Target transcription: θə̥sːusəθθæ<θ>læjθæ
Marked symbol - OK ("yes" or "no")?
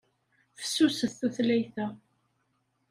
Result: yes